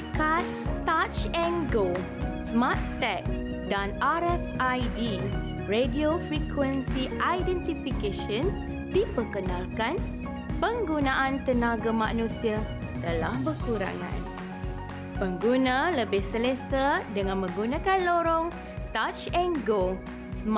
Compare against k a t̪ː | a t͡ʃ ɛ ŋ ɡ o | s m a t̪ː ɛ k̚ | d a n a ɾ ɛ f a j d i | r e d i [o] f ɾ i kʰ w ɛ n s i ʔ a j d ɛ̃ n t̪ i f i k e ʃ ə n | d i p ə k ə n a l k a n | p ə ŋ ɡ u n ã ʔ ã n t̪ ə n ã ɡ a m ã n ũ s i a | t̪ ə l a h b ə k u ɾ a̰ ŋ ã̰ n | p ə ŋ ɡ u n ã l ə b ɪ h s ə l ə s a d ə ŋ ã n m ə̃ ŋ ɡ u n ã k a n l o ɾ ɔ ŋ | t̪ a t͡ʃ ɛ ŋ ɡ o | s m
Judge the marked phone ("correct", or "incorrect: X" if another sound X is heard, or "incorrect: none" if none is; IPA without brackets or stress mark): correct